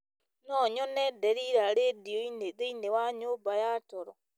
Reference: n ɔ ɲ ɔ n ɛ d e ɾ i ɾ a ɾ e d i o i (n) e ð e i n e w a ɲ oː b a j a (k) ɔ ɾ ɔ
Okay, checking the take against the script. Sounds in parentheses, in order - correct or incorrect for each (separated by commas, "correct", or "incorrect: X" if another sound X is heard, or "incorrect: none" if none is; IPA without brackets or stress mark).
correct, incorrect: t